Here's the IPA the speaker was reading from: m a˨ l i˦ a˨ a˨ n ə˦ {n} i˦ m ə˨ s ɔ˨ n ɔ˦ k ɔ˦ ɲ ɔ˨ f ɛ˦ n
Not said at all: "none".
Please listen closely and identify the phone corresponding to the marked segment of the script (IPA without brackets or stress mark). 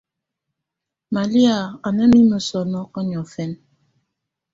m